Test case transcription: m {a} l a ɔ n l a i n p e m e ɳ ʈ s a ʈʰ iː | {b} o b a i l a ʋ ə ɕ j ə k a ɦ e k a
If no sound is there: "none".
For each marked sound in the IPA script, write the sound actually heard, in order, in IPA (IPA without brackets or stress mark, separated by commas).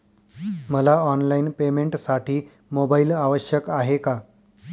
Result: ə, m